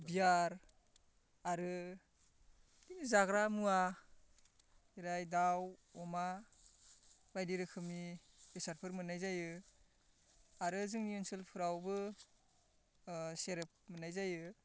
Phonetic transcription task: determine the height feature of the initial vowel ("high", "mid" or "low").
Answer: high